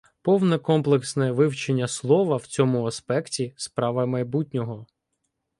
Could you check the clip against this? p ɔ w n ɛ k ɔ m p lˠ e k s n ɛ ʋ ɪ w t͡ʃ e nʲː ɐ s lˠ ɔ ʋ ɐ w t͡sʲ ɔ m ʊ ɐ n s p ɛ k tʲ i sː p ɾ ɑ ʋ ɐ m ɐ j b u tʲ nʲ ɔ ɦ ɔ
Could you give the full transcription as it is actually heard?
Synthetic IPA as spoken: p ɔ w n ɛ k ɔ m p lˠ e k s n ɛ ʋ ɪ w t͡ʃ e nʲː ɐ s lˠ ɔ ʋ ɐ w t͡sʲ ɔ m ʊ ɐ s p ɛ k tʲ i s p ɾ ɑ ʋ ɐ m ɐ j b u tʲ nʲ ɔ ɦ ɔ